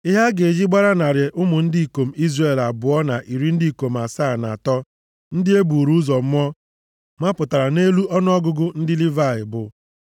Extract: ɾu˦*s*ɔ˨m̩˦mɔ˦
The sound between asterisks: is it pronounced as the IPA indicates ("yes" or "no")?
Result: no